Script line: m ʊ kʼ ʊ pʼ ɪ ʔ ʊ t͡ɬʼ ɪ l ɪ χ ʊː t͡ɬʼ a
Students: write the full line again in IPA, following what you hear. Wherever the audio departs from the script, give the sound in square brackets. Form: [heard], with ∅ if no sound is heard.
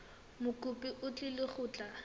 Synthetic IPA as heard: m ʊ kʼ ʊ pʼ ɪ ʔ ʊ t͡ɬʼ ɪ l ɪ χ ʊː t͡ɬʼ a